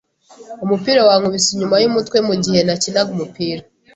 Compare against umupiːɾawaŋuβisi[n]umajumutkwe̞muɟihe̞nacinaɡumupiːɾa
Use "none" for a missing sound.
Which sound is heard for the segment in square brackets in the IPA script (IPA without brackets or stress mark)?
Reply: ɲ